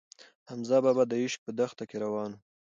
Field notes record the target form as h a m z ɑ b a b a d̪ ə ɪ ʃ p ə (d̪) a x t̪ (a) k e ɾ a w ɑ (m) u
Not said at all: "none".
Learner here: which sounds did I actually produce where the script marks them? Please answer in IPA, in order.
d̪, a, n

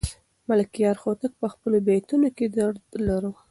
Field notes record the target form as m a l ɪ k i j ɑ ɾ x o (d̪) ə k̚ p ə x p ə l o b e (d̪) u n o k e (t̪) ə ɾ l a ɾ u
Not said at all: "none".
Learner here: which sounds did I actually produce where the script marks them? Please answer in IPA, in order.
t̪, t̪, d̪

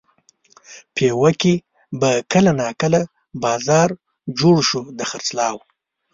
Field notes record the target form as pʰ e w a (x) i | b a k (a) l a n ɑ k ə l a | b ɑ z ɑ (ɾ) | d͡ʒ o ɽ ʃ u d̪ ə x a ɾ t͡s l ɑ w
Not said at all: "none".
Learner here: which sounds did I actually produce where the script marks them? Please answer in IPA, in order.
k, ə, ɾ

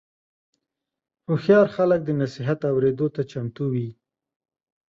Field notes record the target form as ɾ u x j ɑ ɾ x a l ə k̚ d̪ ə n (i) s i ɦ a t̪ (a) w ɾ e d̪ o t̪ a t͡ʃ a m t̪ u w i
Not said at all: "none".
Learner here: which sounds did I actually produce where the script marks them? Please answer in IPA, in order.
a, a

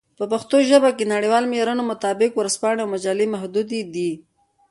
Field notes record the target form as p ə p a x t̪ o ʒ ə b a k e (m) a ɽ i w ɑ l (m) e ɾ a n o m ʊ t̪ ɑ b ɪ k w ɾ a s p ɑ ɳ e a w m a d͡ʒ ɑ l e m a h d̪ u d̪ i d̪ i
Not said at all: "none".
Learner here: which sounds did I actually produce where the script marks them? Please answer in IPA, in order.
n, m

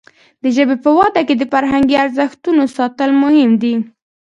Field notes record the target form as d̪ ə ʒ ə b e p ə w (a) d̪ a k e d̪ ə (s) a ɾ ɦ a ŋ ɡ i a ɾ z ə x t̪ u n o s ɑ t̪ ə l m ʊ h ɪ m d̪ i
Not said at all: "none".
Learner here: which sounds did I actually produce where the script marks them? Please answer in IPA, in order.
ɑ, f

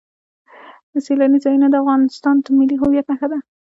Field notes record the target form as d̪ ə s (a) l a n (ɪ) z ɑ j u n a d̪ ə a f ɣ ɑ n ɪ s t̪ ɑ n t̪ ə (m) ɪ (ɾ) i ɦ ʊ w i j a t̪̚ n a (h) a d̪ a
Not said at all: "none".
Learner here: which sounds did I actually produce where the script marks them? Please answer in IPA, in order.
e, i, m, l, x

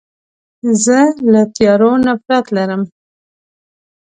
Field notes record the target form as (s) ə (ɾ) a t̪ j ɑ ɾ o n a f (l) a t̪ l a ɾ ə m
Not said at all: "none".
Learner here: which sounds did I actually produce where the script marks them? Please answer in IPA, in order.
z, l, ɾ

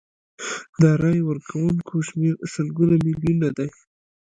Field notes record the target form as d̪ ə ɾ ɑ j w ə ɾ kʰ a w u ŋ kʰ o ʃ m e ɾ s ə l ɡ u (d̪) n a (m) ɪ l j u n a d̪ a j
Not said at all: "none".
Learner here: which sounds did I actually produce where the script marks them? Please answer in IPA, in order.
none, m

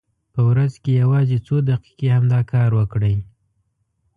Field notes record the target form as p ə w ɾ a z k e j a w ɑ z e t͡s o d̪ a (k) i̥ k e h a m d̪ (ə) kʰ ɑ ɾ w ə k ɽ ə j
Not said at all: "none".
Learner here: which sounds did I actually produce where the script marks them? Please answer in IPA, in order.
q, ɑ

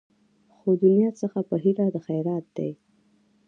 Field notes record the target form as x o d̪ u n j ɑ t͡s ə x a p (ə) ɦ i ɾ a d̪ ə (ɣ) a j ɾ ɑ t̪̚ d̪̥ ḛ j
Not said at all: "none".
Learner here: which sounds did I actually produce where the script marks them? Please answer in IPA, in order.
ə, x

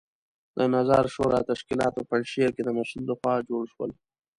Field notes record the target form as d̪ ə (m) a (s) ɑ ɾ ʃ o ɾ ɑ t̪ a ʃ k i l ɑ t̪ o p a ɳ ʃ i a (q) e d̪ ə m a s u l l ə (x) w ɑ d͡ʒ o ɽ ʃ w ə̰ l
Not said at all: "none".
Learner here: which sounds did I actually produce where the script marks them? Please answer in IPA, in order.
n, z, k, x

